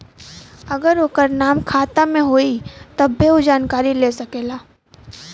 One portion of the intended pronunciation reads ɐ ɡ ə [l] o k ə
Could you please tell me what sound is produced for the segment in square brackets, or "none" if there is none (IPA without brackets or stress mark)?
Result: ɾ